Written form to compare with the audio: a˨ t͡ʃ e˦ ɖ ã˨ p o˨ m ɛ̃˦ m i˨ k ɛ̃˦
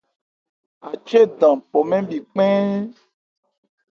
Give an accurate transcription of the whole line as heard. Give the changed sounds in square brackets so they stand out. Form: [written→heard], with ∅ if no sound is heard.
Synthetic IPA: a˨ t͡ʃ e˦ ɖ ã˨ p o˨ m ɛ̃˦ [m→b] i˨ [k→k͡p] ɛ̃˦